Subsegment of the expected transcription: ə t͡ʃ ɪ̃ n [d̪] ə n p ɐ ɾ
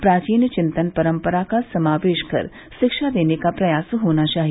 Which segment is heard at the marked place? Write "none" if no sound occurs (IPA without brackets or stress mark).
t̪